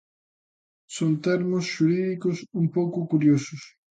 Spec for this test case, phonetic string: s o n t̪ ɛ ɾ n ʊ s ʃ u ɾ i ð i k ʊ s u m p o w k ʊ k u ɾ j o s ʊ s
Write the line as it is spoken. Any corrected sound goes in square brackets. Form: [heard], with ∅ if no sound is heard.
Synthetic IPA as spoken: s o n t̪ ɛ ɾ [m] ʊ s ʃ u ɾ i ð i k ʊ s u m p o w k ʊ k u ɾ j o s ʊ s